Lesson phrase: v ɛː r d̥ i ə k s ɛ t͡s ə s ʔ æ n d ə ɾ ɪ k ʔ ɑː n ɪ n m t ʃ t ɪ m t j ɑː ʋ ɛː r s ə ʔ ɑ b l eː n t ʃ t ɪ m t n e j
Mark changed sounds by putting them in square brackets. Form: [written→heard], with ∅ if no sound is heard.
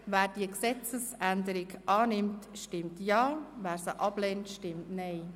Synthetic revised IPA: [v→ʋ] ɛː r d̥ i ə k s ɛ t͡s ə s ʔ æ n d ə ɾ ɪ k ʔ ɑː n ɪ [n→∅] m t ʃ t ɪ m t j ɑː ʋ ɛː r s ə ʔ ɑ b l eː n t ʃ t ɪ m t n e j